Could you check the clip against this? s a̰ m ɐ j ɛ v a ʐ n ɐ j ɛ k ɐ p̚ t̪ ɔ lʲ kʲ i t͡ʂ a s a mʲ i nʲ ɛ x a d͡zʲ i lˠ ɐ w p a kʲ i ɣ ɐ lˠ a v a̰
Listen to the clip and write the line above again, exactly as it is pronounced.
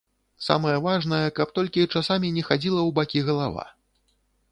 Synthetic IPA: s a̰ m ɐ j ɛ v a ʐ n ɐ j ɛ k ɐ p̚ t̪ ɔ lʲ kʲ i t͡ʂ a s a mʲ i nʲ ɛ x a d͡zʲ i lˠ ɐ w b a kʲ i ɣ ɐ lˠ a v a̰